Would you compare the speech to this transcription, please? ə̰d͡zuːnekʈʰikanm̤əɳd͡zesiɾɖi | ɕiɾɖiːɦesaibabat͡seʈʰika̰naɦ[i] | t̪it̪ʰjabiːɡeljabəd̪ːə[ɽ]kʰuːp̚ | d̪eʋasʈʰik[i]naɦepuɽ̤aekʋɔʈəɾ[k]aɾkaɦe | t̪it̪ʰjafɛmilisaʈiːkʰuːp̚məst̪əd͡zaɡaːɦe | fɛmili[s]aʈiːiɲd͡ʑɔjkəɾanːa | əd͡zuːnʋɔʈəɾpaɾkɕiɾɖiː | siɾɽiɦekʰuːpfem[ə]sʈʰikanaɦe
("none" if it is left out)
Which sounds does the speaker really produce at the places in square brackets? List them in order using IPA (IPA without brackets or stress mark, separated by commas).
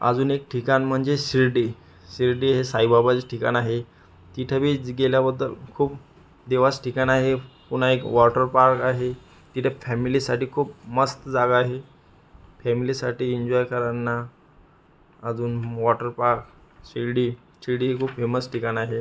e, l, a, p, s, ə